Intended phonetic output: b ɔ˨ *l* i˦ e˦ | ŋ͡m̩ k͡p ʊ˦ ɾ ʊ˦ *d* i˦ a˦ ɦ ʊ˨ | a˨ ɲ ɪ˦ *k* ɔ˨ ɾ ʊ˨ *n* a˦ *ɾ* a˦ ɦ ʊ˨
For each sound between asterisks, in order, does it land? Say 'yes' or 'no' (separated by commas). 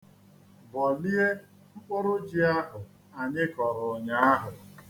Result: yes, no, yes, no, no